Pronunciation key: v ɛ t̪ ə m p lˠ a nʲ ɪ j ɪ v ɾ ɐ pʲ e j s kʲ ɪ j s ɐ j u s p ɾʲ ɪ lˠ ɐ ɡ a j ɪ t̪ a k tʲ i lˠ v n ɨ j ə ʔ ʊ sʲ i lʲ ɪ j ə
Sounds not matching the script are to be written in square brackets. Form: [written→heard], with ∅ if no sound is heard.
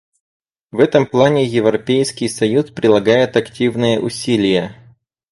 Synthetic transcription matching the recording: v ɛ t̪ ə m p lˠ a nʲ ɪ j ɪ v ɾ ɐ pʲ e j s kʲ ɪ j s ɐ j u s p ɾʲ ɪ lˠ ɐ ɡ a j ɪ t̪ [a→ɐ] k tʲ i [lˠ→∅] v n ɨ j ə ʔ ʊ sʲ i lʲ ɪ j ə